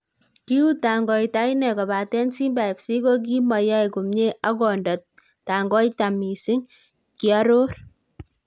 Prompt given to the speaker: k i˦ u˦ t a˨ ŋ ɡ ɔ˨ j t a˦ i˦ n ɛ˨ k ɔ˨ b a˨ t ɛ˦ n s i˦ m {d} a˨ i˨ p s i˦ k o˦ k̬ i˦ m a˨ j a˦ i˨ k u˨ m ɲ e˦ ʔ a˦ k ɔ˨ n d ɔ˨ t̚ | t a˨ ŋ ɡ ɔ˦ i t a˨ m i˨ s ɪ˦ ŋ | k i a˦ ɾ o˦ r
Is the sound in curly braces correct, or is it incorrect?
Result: incorrect